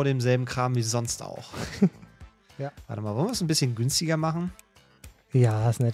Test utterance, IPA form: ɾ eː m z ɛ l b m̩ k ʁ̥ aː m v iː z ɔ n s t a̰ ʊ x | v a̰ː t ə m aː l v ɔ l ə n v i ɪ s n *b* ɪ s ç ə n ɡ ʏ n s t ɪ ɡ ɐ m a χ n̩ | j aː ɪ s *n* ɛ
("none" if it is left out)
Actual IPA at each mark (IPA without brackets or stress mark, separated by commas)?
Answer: b, n